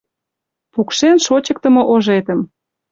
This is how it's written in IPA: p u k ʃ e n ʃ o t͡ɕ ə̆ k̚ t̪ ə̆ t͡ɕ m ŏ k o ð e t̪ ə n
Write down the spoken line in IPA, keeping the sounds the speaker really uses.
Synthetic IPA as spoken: p u k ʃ e n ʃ o t͡ɕ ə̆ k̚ t̪ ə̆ m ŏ ʔ o ʒ e t̪ ə m